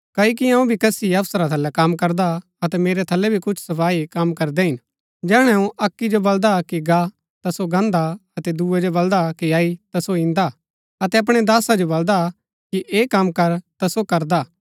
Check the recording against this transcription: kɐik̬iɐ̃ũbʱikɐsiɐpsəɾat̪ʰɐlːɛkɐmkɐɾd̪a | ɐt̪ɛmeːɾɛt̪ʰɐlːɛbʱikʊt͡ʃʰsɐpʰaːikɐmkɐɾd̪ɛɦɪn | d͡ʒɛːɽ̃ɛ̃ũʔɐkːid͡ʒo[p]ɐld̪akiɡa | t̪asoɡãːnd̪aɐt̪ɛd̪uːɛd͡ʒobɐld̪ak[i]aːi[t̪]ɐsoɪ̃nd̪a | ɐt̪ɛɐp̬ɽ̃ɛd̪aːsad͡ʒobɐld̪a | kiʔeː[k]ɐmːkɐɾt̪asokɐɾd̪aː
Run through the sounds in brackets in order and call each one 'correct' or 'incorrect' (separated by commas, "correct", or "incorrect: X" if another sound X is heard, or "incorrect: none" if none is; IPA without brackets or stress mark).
incorrect: b, correct, correct, correct